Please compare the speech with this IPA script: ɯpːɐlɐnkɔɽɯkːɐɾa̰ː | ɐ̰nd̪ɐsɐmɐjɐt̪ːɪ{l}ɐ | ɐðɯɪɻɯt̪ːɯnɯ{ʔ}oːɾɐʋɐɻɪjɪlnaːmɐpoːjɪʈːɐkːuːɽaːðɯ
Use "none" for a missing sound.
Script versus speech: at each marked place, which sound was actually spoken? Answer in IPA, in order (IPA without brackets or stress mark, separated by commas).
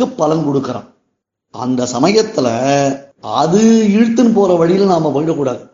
l, p